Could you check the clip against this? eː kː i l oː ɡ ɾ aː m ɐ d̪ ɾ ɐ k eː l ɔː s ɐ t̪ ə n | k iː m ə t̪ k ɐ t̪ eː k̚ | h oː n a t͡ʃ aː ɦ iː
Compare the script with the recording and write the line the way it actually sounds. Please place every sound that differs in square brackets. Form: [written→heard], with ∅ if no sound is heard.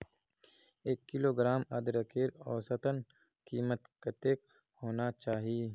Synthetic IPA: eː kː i l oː ɡ ɾ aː m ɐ d̪ ɾ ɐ k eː [l→ɾ] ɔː s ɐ t̪ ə n | k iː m ə t̪ k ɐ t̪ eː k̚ | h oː n a t͡ʃ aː ɦ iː